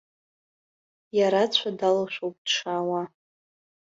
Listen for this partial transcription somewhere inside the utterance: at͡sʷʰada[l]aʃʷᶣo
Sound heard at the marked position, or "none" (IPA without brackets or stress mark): l